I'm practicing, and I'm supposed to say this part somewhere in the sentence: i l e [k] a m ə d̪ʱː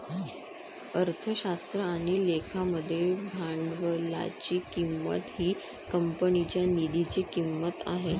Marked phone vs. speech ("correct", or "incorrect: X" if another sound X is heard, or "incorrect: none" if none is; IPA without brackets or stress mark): incorrect: kʰ